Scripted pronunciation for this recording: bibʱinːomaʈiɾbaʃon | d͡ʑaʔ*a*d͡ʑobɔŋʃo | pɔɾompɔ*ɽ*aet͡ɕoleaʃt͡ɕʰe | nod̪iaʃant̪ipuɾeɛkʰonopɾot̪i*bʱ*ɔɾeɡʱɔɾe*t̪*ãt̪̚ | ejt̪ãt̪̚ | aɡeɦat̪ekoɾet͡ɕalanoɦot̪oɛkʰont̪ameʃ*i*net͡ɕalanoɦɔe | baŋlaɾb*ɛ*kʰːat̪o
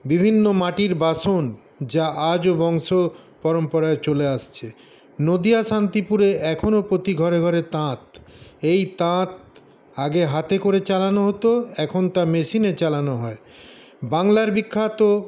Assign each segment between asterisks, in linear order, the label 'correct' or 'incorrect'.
correct, incorrect, incorrect, correct, correct, incorrect

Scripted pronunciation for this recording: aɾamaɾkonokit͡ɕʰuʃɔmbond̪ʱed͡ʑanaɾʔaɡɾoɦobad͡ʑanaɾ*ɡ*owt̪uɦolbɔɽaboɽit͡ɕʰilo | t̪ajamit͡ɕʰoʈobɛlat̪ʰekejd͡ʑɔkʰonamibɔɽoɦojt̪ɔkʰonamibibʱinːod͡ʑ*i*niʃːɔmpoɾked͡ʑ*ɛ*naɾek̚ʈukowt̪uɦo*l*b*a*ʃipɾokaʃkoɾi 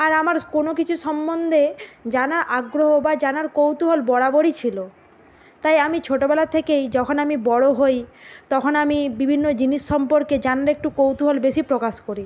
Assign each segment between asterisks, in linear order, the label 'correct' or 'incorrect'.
incorrect, correct, incorrect, correct, incorrect

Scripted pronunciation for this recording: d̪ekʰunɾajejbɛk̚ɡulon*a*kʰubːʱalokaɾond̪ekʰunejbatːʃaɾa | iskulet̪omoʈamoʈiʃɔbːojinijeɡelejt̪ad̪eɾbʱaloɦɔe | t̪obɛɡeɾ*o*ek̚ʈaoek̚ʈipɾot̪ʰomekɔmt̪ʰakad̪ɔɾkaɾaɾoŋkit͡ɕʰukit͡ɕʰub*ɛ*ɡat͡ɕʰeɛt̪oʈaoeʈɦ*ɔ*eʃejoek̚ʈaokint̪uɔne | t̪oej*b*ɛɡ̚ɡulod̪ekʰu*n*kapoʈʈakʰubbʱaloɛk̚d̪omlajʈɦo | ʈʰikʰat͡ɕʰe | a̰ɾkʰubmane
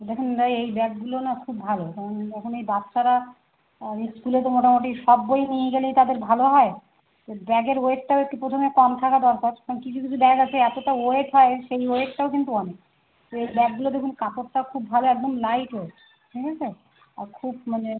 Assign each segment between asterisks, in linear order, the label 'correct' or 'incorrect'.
correct, correct, correct, correct, correct, correct

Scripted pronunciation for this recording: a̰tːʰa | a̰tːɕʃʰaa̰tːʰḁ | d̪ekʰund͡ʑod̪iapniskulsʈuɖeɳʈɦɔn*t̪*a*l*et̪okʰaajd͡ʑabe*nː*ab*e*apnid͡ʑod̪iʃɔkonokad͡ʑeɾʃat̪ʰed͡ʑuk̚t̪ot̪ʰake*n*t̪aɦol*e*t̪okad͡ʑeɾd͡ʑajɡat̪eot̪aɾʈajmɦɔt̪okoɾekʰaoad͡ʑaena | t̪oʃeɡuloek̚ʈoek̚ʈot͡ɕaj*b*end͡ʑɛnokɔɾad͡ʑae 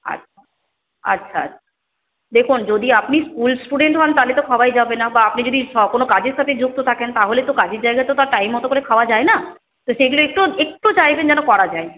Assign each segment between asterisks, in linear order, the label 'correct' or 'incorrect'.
correct, correct, incorrect, incorrect, correct, correct, correct

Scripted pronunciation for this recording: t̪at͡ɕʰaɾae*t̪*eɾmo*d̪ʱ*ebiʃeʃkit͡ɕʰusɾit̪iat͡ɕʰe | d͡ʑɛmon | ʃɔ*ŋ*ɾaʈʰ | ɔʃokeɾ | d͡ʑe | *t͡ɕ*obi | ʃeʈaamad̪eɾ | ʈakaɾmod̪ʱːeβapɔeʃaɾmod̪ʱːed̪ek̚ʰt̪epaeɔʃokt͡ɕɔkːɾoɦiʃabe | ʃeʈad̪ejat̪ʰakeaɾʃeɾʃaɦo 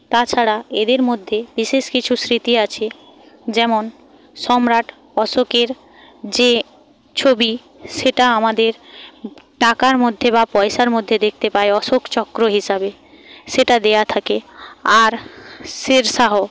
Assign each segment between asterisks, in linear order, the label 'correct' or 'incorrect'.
incorrect, incorrect, incorrect, incorrect

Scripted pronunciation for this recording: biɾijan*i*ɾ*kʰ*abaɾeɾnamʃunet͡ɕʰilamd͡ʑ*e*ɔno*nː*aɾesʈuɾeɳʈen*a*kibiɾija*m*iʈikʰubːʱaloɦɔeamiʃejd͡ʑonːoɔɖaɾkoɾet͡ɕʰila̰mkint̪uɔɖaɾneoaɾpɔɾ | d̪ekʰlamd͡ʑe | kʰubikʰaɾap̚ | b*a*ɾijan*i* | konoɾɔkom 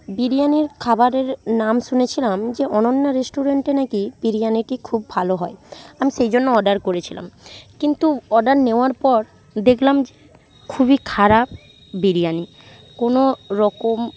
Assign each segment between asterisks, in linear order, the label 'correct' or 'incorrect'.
correct, correct, correct, correct, correct, incorrect, incorrect, correct

